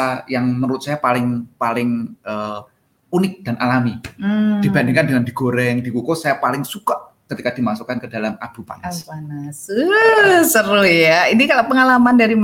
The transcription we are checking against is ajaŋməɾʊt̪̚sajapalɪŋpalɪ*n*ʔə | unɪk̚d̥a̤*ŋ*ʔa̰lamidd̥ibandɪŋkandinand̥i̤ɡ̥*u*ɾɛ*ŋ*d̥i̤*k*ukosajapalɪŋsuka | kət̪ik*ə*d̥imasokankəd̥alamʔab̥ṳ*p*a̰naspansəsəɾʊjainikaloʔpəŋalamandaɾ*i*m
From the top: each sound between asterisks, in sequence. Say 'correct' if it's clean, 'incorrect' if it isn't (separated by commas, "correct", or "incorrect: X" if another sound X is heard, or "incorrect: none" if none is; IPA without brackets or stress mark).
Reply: incorrect: ŋ, incorrect: n, incorrect: o, correct, correct, incorrect: a, correct, correct